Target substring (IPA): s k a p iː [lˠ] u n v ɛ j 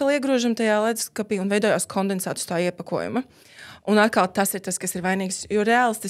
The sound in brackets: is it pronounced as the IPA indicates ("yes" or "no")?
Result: no